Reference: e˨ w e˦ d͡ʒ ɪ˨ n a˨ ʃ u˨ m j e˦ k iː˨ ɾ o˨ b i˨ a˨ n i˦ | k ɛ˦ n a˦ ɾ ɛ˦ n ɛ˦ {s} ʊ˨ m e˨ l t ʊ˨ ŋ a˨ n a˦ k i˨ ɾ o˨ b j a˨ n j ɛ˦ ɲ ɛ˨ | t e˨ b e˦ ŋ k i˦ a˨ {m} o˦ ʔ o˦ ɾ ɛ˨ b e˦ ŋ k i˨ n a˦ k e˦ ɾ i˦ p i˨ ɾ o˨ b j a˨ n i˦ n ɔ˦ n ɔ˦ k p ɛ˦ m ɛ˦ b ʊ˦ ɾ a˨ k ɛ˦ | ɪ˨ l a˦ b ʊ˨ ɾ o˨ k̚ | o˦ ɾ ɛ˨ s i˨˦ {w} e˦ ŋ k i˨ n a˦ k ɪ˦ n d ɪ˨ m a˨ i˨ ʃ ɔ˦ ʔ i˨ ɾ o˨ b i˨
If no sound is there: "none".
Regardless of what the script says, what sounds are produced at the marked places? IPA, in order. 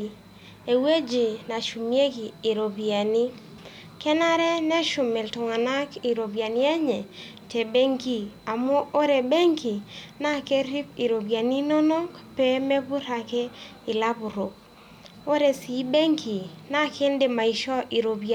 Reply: ʃ, m, b

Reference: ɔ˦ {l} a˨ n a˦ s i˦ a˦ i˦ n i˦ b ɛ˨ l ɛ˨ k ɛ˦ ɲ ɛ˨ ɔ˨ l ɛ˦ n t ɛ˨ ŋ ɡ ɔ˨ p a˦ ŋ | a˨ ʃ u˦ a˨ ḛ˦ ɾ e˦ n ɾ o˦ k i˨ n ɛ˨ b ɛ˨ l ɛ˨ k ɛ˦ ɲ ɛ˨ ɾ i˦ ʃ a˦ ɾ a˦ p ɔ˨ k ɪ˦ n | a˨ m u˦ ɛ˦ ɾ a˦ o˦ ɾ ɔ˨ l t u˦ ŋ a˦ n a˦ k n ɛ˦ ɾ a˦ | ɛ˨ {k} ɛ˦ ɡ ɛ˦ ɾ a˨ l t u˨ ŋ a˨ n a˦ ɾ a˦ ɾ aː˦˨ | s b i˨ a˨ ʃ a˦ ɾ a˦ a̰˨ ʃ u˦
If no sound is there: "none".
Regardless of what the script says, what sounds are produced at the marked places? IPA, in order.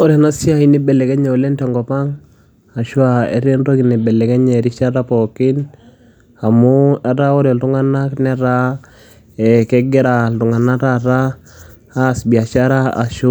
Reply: ɾ, k

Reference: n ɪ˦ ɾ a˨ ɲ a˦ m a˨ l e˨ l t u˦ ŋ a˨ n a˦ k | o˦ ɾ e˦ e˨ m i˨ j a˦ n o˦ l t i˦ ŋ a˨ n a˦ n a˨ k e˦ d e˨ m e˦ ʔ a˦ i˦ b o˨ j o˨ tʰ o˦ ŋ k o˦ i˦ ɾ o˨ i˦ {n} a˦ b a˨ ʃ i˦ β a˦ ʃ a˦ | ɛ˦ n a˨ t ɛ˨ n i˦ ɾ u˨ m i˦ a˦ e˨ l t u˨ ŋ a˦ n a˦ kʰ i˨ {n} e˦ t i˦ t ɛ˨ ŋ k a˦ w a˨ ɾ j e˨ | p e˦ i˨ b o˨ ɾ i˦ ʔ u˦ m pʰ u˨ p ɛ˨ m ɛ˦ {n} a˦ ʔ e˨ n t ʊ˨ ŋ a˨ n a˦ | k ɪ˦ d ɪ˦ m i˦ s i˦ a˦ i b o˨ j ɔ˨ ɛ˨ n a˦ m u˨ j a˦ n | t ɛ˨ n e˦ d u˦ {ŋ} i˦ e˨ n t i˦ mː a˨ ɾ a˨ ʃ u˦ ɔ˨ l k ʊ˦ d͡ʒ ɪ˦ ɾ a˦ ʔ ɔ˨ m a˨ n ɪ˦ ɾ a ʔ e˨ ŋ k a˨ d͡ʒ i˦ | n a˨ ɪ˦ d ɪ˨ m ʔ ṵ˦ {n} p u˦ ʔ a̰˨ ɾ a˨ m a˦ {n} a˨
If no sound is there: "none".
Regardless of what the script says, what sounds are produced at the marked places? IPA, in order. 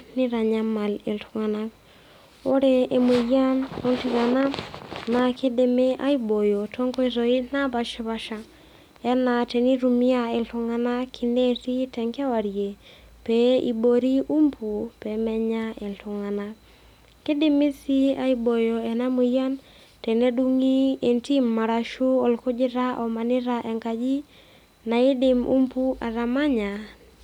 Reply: n, n, ɲ, ŋ, m, ɲ

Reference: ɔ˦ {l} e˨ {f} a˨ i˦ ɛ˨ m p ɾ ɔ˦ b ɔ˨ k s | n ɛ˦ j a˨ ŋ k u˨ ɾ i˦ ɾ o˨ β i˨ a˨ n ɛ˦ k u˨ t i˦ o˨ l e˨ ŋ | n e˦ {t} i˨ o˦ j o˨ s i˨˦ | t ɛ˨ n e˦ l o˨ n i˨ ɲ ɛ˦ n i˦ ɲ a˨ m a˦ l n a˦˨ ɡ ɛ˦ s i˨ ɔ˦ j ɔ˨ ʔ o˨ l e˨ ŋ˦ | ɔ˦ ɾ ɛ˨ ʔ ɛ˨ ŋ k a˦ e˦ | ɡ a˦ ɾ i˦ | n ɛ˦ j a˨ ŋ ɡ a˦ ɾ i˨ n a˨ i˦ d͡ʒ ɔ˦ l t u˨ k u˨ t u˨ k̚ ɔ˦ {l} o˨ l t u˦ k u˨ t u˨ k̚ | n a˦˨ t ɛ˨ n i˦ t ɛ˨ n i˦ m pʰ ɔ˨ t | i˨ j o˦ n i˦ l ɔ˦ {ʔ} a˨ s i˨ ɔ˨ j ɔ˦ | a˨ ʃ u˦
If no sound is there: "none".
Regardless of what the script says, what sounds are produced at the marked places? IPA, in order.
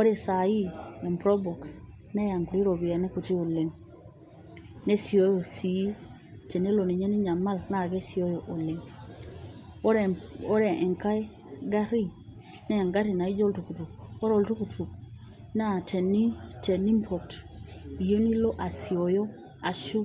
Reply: ɾ, s, s, ɾ, ʔ

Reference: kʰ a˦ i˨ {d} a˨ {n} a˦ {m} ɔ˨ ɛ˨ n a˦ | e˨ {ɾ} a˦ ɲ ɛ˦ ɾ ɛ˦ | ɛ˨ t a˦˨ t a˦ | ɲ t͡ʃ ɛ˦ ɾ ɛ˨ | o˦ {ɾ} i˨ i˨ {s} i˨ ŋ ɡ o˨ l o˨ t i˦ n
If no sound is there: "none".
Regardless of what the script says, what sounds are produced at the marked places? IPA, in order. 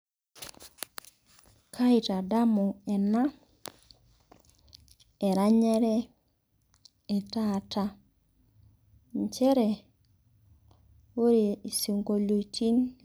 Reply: t, d, m, ɾ, ɾ, s

